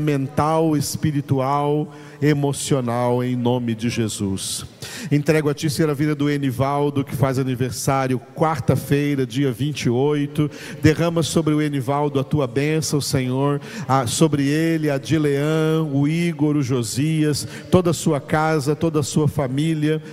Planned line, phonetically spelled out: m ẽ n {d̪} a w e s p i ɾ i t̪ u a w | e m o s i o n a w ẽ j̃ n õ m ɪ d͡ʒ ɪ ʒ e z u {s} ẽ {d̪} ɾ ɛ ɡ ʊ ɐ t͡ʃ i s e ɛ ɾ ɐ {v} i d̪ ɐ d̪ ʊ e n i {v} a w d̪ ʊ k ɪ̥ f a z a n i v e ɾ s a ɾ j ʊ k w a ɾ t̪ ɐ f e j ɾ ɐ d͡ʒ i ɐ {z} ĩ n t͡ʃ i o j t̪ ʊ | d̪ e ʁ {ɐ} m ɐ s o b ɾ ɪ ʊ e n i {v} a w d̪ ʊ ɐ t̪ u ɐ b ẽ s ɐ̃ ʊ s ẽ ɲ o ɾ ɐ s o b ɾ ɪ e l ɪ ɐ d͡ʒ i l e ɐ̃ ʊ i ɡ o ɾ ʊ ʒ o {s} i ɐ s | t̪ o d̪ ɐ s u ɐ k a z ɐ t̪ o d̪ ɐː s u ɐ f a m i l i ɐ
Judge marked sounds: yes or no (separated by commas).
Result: no, yes, no, yes, yes, no, no, yes, no